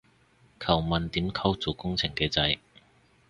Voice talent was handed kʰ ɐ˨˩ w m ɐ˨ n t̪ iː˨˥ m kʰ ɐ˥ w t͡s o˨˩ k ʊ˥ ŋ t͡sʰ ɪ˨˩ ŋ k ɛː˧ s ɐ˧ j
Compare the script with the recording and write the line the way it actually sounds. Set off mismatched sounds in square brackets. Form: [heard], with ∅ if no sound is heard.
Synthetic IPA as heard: kʰ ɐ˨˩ w m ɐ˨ n t̪ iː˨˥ m kʰ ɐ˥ w t͡s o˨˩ k ʊ˥ ŋ t͡sʰ ɪ˨˩ ŋ k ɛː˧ [t͡s] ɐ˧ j